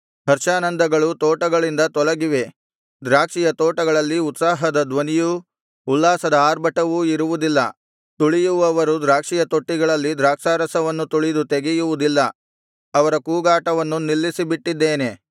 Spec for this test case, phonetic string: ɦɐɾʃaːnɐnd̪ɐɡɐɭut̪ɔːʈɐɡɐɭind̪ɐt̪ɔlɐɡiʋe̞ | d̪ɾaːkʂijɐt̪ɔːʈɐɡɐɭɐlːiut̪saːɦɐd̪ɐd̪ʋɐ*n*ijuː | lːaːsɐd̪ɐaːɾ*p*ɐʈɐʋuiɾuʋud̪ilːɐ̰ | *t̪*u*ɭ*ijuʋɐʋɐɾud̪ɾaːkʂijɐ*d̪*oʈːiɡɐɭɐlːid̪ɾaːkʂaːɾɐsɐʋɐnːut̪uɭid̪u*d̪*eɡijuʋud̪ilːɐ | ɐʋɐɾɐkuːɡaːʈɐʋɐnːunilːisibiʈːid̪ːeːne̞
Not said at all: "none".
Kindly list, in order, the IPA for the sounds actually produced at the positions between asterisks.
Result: n, b, t̪, ɭ, t̪, t̪

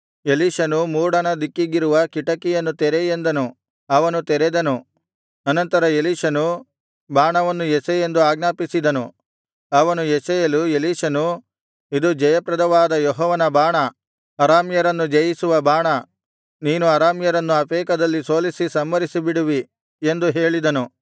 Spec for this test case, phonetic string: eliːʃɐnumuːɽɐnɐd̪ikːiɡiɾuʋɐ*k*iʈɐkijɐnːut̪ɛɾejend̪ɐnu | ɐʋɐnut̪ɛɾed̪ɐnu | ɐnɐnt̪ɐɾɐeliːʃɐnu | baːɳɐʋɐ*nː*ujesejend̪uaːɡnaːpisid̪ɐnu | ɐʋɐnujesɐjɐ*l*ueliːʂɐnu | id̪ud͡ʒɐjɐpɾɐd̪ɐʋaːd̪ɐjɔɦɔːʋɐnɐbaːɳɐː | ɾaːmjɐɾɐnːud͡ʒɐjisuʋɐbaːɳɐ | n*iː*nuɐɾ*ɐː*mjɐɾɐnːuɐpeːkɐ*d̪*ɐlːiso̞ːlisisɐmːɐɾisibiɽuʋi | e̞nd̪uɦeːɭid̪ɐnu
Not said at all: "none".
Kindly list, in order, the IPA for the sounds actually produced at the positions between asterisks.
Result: k, nː, l, iː, aː, d̪

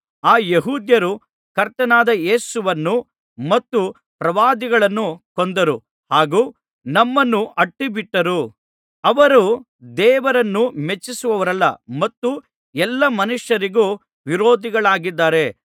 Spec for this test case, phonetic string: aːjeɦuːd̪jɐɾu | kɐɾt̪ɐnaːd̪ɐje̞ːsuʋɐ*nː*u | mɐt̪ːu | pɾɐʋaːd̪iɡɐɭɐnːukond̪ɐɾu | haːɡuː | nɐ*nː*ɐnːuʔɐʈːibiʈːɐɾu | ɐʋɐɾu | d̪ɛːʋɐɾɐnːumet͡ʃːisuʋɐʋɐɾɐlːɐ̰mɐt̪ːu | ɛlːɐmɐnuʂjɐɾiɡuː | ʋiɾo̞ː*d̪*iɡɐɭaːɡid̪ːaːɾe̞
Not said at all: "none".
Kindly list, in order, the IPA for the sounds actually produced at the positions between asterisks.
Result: nː, mː, d̪

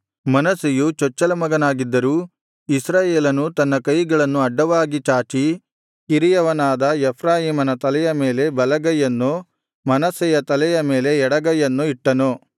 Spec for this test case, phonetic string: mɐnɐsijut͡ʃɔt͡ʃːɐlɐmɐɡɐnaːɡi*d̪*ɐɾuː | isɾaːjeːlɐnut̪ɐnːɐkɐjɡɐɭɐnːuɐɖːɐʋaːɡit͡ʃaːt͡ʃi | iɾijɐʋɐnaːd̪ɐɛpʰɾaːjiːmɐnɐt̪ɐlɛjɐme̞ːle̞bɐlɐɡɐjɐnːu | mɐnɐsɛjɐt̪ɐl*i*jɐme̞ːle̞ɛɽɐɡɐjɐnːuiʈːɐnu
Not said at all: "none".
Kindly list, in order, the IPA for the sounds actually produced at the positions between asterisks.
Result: d̪ː, ɛ

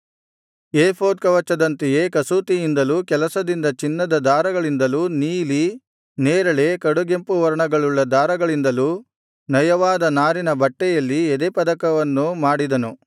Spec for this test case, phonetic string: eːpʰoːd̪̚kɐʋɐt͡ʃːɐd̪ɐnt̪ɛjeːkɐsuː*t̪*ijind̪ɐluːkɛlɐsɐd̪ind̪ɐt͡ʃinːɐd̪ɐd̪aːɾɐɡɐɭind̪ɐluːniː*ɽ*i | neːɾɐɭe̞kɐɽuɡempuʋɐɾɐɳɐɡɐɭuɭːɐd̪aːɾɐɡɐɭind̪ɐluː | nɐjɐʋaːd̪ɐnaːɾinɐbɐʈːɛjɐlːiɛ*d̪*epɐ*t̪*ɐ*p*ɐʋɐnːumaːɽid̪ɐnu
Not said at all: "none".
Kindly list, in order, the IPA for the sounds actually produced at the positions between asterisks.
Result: t̪, l, d̪, d̪, k

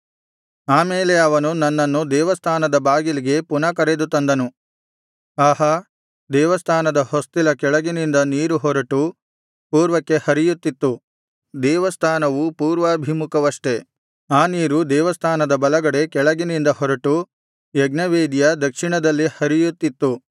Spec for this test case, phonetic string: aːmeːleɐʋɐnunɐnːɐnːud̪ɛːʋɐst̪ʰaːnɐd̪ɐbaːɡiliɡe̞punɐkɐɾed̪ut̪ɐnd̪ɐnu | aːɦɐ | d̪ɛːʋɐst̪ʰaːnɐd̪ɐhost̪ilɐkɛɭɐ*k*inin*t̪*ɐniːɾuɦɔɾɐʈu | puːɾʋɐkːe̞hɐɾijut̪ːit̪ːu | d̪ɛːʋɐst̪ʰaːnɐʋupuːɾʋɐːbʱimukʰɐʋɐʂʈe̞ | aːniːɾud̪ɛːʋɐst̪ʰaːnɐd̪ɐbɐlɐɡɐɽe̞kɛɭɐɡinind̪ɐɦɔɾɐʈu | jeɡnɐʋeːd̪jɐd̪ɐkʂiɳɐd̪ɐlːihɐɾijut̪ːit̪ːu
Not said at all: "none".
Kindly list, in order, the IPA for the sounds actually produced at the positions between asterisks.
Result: ɡ, d̪

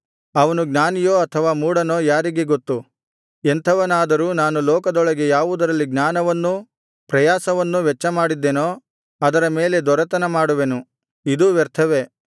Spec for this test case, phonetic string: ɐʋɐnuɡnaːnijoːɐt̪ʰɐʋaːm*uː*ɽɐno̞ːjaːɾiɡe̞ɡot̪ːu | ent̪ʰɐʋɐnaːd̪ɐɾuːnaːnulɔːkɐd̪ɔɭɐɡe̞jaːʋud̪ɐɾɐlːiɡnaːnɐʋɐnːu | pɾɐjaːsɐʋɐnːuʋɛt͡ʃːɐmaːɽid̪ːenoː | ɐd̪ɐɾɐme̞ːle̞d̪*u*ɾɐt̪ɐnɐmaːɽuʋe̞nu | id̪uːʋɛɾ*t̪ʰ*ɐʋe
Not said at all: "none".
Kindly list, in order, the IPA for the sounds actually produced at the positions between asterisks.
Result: uː, ɔ, t̪ʰ

